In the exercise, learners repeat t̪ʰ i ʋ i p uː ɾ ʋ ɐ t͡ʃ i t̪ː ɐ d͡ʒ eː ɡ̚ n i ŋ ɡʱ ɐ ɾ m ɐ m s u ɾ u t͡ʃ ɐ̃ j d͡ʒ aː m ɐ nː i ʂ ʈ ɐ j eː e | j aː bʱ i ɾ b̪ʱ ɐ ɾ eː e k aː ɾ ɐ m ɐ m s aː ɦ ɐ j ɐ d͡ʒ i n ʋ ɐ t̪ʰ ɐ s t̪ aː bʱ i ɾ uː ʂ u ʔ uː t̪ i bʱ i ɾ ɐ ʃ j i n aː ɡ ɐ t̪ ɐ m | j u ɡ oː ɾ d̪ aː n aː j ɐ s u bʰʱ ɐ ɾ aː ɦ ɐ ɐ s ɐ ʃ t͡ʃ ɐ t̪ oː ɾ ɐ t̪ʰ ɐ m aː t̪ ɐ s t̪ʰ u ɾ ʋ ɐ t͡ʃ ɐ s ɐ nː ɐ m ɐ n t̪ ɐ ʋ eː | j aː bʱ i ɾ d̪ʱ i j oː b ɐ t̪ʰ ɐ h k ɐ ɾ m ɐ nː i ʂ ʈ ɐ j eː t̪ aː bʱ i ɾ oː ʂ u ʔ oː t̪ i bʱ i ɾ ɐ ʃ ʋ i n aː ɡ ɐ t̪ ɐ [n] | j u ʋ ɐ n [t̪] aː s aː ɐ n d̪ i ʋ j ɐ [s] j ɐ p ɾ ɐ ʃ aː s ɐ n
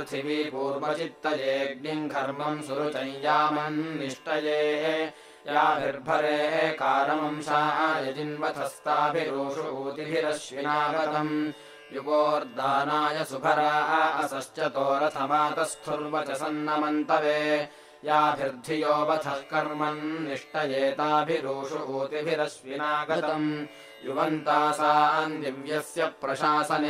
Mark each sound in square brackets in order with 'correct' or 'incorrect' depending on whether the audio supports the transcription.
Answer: incorrect: m, correct, correct

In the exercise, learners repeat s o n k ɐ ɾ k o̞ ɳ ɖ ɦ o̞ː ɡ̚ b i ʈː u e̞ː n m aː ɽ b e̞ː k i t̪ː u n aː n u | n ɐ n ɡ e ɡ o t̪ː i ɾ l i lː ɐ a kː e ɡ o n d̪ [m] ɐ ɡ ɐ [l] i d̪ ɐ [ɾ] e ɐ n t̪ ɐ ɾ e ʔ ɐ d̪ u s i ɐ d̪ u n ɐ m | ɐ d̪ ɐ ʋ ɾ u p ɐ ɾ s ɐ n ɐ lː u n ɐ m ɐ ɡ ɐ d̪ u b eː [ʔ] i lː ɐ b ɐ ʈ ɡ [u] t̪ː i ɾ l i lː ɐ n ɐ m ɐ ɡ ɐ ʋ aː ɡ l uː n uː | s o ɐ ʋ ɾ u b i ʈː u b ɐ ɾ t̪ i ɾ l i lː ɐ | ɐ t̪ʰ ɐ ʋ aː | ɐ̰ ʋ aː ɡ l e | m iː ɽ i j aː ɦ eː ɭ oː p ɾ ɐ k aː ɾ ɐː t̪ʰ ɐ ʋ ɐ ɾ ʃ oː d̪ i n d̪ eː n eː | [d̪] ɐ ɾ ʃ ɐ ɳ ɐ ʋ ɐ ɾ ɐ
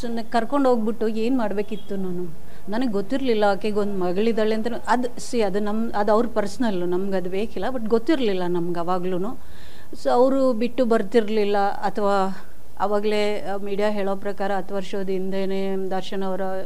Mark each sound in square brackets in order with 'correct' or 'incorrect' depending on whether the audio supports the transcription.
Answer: correct, incorrect: ɭ, incorrect: ɭ, incorrect: k, incorrect: o, correct

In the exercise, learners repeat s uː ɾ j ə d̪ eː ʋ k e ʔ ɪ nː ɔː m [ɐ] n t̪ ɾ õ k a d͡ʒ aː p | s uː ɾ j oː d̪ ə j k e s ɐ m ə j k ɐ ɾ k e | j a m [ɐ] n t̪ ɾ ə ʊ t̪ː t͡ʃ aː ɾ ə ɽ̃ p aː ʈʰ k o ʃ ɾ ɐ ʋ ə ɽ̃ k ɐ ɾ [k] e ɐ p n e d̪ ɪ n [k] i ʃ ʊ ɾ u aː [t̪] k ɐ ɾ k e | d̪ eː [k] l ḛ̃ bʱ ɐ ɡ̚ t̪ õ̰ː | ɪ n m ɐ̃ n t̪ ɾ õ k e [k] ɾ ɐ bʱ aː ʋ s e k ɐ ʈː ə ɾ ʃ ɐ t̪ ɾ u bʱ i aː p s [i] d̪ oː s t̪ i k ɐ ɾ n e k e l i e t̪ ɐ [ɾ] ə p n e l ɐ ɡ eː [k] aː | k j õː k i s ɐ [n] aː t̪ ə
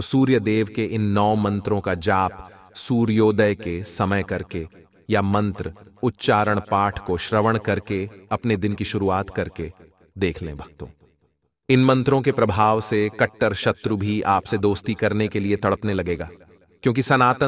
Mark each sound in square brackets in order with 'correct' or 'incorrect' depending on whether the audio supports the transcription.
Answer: incorrect: ɐ̃, incorrect: ɐ̃, correct, correct, correct, incorrect: kʰ, incorrect: p, incorrect: e, incorrect: ɽ, incorrect: ɡ, correct

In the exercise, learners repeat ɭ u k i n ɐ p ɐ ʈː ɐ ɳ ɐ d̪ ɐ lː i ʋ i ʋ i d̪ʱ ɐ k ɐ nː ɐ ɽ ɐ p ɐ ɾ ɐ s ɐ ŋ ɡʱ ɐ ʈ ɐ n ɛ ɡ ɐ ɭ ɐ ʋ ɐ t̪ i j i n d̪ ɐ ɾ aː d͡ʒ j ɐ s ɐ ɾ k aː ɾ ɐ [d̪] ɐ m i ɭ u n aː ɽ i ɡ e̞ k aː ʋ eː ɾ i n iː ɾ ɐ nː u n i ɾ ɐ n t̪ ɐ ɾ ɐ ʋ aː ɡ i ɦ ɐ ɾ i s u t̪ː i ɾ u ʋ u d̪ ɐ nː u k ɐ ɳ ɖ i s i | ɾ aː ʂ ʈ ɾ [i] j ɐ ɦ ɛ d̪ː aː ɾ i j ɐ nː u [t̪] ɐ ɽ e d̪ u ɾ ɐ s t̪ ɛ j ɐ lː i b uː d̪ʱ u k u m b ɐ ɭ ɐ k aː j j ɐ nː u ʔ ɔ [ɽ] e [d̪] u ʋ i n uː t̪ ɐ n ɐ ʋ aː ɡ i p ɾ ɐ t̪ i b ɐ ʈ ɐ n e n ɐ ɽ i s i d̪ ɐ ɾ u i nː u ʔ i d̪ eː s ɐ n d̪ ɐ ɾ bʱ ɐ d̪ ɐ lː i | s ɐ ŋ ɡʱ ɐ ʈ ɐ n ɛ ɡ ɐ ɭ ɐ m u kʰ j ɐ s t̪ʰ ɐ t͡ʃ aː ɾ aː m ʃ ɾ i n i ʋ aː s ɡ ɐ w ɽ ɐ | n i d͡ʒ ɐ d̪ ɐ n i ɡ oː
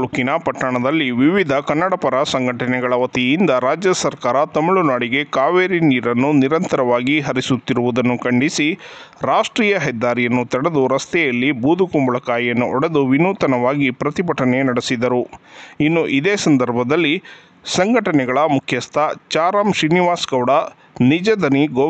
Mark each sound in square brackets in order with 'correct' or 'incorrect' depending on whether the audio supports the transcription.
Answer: incorrect: t̪, incorrect: iː, correct, correct, correct

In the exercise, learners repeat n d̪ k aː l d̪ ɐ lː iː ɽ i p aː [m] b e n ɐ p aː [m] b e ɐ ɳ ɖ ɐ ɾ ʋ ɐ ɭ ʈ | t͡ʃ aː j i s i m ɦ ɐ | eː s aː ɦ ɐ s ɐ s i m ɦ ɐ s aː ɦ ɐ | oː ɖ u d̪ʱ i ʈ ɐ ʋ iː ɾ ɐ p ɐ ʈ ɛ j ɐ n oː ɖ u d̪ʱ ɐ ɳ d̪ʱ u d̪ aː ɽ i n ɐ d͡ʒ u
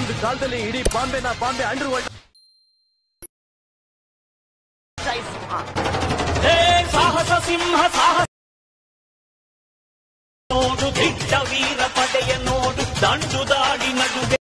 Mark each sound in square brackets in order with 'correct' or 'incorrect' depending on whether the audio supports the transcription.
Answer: correct, correct

